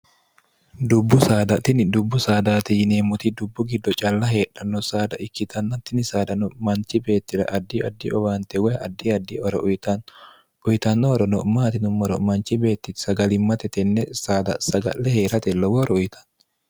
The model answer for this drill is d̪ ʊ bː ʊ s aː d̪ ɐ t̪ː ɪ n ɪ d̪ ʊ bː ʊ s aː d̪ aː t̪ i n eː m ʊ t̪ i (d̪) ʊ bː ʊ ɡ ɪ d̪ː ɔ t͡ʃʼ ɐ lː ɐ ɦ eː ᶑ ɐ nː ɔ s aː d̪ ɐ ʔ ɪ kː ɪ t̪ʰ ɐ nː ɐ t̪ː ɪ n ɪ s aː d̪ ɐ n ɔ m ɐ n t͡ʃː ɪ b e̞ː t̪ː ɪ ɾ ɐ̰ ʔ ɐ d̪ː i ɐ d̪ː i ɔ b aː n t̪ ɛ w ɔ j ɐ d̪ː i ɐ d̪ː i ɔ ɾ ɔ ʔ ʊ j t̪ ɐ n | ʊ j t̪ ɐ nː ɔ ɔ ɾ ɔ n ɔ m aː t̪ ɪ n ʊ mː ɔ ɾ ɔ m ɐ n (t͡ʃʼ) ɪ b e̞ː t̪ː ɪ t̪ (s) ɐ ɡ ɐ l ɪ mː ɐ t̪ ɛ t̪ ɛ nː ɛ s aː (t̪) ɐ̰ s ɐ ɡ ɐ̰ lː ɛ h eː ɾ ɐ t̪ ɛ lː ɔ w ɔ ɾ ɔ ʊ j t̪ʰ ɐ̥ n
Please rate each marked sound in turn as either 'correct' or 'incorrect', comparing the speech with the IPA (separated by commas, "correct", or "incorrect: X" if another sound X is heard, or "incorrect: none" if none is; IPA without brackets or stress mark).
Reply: correct, incorrect: t͡ʃ, correct, incorrect: d̪